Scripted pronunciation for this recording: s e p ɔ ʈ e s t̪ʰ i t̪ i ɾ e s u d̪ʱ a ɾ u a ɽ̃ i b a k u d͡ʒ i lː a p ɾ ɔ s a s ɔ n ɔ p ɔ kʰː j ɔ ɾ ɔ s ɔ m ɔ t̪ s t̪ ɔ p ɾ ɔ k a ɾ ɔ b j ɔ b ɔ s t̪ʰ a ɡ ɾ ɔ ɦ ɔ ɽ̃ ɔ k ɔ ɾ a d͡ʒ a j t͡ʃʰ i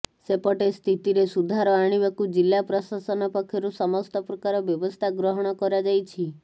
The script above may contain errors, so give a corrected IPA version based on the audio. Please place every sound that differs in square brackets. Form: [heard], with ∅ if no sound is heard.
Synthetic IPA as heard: s e p ɔ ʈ e s t̪ʰ i t̪ i ɾ e s u d̪ʱ a ɾ [ɔ] a ɽ̃ i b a k u d͡ʒ i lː a p ɾ ɔ s a s ɔ n ɔ p ɔ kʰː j ɔ ɾ [u] s ɔ m ɔ [∅] s t̪ ɔ p ɾ ɔ k a ɾ ɔ b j ɔ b ɔ s t̪ʰ a ɡ ɾ ɔ ɦ ɔ ɽ̃ ɔ k ɔ ɾ a d͡ʒ a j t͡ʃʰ i

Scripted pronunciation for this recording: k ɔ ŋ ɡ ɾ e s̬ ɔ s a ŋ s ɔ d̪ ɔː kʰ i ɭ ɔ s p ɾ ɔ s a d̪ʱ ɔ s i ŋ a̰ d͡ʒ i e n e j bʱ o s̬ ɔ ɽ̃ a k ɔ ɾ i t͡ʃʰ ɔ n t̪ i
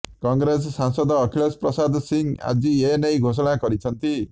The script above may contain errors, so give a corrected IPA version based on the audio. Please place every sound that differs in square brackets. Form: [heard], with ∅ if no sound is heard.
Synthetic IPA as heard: k ɔ ŋ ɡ ɾ e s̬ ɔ s a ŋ s ɔ d̪ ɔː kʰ i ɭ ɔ s p ɾ ɔ s a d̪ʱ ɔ s i ŋ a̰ d͡ʒ i e n e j [ɡʱ] o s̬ ɔ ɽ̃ a k ɔ ɾ i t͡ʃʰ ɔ n t̪ i

